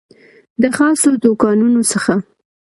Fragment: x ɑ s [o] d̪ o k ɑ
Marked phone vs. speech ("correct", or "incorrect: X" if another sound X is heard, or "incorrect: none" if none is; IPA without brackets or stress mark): correct